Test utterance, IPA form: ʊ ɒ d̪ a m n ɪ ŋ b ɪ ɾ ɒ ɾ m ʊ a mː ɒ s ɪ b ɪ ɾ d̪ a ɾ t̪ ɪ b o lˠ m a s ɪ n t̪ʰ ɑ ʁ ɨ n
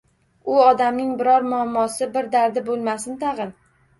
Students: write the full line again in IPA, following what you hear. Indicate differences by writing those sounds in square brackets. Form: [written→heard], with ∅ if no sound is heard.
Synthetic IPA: ʊ ɒ d̪ a m n ɪ ŋ b ɪ ɾ ɒ ɾ m ʊ a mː ɒ s ɪ b ɪ ɾ d̪ a ɾ [t̪→d̪] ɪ b o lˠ m a s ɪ n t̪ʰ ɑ ʁ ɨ n